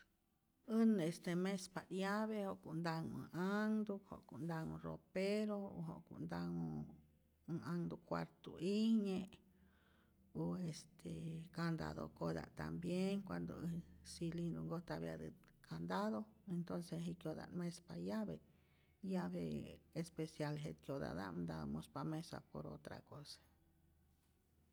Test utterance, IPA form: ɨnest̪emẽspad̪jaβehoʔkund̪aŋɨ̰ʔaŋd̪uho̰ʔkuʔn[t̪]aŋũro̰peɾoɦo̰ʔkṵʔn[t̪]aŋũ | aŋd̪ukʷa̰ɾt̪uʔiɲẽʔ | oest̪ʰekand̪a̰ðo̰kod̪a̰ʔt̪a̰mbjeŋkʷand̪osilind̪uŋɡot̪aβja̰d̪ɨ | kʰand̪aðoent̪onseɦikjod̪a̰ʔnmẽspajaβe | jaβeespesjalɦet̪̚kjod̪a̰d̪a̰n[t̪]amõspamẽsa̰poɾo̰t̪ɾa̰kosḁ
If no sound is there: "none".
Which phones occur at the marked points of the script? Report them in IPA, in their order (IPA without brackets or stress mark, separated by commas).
d̪, d̪, d̪